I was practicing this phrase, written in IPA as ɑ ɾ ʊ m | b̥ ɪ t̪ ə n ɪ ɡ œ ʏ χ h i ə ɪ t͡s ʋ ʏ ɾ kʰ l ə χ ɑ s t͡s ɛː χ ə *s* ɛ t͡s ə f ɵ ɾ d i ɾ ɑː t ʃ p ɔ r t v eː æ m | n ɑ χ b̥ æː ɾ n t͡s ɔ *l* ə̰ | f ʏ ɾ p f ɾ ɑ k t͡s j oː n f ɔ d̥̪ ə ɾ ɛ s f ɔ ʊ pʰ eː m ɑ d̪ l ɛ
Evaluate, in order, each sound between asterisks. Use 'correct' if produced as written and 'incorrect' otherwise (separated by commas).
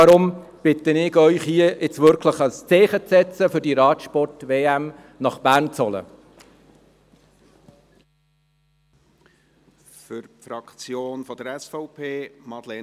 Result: incorrect, correct